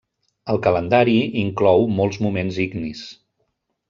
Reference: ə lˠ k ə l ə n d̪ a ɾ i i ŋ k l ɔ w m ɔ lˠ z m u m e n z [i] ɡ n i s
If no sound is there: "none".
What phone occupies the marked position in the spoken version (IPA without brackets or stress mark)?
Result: i